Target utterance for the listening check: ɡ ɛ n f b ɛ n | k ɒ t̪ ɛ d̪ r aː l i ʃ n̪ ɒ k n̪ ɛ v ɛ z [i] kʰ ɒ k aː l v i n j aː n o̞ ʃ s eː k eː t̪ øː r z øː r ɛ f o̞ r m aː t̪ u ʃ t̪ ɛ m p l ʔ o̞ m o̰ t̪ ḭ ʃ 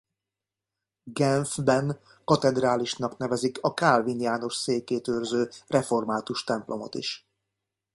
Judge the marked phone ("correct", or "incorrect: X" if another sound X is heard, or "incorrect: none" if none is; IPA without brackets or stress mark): correct